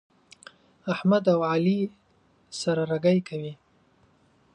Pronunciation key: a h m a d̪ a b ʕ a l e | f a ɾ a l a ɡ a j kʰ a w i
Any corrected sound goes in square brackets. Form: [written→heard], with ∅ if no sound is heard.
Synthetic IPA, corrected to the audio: a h m a d̪ a [b→w] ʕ a l [e→i] | [f→s] a ɾ a [l→ɾ] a ɡ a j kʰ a w i